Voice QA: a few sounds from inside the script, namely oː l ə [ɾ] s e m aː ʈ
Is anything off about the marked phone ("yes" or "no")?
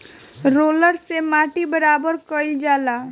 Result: no